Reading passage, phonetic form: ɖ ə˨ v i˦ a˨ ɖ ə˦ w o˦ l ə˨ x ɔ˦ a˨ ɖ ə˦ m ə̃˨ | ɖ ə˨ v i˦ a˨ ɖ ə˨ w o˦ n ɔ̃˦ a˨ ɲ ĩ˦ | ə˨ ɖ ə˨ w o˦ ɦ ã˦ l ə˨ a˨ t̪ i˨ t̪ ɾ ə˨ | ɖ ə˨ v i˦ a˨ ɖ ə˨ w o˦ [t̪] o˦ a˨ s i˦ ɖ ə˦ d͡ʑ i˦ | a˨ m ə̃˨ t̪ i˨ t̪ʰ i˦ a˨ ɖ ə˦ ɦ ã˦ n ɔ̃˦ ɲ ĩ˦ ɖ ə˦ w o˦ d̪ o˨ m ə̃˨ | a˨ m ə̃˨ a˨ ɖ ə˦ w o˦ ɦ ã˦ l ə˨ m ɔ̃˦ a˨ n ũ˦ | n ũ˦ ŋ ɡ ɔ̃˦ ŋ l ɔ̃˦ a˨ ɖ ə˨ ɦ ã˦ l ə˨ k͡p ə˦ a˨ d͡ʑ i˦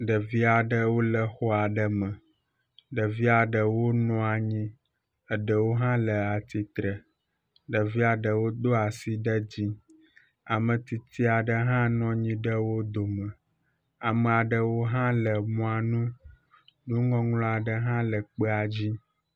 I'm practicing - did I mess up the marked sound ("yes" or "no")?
yes